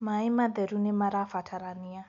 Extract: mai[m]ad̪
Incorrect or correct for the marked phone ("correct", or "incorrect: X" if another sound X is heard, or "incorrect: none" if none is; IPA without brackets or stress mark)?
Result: correct